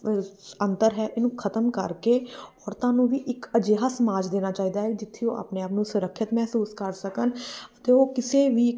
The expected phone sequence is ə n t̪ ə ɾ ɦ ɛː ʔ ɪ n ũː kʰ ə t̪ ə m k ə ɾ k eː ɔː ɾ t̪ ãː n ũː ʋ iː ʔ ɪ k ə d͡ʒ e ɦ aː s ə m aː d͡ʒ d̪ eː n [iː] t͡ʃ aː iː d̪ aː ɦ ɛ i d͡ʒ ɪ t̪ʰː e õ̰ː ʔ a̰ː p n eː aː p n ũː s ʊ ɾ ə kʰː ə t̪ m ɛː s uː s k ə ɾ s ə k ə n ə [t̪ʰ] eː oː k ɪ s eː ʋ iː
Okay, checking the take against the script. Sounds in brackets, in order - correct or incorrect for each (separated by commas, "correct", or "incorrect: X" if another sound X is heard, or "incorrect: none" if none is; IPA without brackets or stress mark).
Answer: incorrect: aː, incorrect: t̪